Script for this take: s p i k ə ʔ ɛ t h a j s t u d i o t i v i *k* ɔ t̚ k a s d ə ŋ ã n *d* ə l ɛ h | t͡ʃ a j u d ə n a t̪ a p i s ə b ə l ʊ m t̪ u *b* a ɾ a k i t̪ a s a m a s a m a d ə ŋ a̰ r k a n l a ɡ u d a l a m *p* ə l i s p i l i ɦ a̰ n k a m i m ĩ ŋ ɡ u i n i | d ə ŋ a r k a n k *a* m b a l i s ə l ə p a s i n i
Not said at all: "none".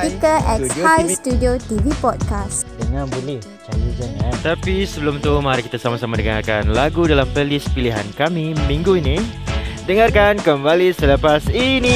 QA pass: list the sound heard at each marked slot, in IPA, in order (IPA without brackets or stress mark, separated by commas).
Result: p, b, m, p, ə